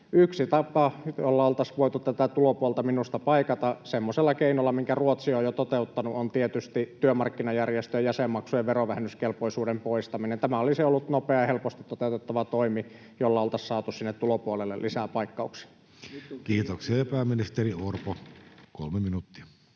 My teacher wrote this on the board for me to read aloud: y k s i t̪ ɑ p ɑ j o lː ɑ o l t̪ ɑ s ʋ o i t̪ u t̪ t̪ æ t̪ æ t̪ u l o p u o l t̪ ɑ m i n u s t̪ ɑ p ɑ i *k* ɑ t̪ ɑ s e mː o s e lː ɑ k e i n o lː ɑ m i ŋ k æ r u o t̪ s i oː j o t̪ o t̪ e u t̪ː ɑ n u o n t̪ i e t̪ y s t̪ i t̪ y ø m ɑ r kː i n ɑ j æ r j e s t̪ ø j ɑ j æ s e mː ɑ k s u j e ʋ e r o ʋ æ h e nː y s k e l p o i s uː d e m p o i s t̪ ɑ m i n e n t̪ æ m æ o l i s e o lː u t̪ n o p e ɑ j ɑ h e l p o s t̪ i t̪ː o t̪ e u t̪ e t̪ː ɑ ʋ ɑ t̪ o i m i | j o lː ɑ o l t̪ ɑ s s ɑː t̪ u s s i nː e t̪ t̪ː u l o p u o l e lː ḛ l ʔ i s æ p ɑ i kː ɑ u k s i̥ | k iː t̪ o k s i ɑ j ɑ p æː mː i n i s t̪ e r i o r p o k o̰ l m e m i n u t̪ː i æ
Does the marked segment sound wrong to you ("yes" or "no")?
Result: no